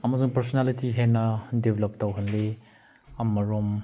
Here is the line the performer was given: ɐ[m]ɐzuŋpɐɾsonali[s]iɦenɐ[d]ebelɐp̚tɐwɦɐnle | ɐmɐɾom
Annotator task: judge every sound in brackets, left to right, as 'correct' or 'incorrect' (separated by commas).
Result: correct, incorrect, correct